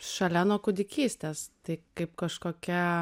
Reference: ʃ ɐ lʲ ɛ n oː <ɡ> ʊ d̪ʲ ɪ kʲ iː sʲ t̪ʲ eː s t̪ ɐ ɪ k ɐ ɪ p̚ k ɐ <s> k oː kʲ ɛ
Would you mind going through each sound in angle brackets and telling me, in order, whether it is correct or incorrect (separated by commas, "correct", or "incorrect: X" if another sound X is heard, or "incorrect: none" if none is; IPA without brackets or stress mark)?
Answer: incorrect: k, incorrect: ʃ